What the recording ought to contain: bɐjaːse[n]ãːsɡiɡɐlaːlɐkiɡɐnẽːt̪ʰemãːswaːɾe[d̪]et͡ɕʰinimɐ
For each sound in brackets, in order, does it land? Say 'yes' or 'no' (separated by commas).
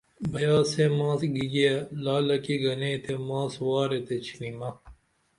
no, no